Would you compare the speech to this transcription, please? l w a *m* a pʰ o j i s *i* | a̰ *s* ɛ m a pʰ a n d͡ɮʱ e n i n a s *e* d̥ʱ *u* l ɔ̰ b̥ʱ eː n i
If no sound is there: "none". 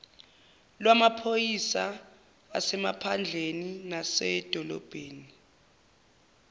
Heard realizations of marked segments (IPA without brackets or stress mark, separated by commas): m, a, s, ɛ, ɔ